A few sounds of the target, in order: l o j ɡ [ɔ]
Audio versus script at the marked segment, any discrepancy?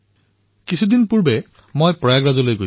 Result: yes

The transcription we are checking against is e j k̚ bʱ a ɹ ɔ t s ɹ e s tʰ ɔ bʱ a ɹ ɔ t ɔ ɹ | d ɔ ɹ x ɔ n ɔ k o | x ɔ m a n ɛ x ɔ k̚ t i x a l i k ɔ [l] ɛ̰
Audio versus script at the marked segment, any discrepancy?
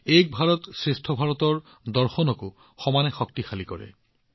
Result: yes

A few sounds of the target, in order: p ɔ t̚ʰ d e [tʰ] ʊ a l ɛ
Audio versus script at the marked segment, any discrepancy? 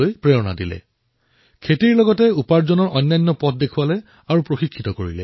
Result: yes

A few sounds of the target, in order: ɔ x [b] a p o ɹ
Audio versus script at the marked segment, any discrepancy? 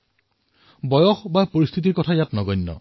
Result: no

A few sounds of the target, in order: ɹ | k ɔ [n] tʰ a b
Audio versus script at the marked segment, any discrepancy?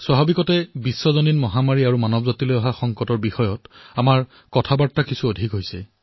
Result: yes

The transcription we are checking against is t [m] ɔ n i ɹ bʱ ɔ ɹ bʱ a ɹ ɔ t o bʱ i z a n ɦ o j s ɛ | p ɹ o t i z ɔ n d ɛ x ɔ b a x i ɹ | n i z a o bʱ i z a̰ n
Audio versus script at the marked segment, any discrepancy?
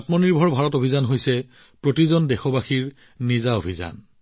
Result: no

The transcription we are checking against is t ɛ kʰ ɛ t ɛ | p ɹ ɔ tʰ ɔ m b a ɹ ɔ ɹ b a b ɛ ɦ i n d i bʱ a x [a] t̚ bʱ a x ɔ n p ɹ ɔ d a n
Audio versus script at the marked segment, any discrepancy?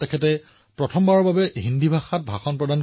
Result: no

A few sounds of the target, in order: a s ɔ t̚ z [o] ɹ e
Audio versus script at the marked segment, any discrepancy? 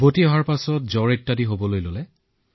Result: yes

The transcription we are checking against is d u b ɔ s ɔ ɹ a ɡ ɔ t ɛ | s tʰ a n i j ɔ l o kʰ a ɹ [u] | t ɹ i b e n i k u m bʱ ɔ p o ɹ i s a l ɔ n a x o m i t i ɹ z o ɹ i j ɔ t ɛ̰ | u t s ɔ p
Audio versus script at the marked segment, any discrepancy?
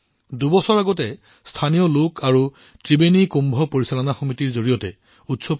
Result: no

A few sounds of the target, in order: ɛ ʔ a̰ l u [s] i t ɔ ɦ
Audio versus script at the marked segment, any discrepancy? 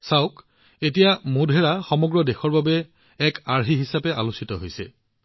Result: no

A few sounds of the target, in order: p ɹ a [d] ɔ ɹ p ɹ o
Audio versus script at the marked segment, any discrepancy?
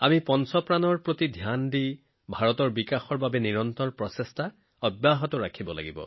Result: yes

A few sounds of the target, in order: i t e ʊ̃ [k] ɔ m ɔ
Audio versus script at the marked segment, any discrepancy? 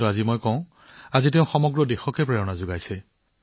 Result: yes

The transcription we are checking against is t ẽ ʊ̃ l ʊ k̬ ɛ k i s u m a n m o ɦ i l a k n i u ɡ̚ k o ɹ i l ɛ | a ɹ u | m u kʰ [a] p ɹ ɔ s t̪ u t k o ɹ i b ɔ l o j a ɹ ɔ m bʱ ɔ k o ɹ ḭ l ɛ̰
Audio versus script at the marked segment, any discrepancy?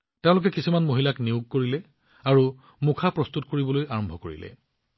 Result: no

